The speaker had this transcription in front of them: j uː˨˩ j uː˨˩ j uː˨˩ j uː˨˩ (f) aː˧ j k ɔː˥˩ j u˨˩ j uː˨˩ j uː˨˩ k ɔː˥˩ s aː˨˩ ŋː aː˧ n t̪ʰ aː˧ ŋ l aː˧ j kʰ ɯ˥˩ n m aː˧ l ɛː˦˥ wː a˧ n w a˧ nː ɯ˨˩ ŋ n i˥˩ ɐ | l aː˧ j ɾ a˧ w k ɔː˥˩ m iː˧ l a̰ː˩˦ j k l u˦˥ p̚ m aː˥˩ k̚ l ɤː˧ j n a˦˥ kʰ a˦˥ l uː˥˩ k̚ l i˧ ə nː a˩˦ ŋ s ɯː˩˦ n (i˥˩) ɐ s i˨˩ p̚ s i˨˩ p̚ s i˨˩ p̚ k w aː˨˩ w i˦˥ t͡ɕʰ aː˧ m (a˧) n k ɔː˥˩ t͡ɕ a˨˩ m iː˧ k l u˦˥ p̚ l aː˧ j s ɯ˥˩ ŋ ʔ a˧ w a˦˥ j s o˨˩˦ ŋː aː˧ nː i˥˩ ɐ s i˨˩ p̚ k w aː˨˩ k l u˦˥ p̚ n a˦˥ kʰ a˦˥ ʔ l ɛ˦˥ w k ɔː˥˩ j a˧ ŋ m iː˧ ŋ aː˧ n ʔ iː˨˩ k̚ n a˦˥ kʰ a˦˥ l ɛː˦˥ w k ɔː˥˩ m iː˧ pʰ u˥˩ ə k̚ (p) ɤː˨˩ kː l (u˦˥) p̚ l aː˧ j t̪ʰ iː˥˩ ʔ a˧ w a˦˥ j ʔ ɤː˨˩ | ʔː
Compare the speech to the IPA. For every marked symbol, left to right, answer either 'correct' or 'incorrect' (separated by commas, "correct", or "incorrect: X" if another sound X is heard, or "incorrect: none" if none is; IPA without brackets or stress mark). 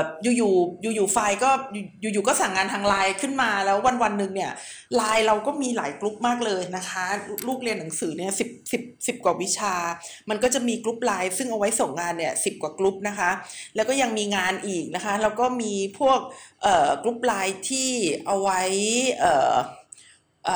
correct, correct, correct, incorrect: ʔ, correct